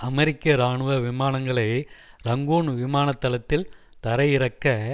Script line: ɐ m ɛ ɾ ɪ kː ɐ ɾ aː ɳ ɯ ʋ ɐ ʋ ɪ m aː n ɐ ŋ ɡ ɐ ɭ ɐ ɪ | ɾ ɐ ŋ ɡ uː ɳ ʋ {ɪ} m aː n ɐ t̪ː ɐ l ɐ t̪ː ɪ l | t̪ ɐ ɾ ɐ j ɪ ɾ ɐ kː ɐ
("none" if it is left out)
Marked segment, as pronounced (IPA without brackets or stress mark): ɪ